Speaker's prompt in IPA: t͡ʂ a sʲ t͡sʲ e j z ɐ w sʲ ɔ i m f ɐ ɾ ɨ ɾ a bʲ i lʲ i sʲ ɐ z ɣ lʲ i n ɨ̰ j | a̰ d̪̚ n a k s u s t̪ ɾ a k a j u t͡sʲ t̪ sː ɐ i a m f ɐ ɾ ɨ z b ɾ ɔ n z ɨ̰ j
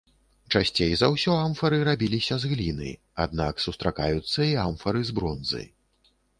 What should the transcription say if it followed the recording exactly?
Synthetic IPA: t͡ʂ a sʲ t͡sʲ e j z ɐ w sʲ ɔ a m f ɐ ɾ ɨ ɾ a bʲ i lʲ i sʲ ɐ z ɣ lʲ i n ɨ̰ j | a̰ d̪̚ n a k s u s t̪ ɾ a k a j u t̪ sː ɐ i a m f ɐ ɾ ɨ z b ɾ ɔ n z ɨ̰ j